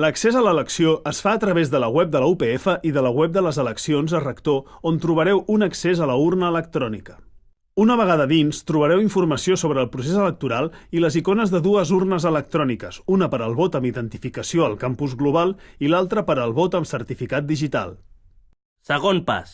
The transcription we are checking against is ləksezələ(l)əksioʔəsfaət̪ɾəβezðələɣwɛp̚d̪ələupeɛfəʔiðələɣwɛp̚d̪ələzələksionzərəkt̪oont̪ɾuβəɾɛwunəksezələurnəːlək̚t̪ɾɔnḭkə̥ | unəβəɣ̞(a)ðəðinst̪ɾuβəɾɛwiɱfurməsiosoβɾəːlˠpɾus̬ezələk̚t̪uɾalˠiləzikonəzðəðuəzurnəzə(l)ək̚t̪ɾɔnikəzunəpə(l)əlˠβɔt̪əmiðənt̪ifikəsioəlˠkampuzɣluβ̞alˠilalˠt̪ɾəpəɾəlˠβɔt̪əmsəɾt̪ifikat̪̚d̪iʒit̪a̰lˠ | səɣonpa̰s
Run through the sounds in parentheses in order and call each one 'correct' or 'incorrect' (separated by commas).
correct, correct, correct, incorrect